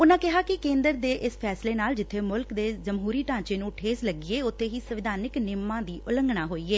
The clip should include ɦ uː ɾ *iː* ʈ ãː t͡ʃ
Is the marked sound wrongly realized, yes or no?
no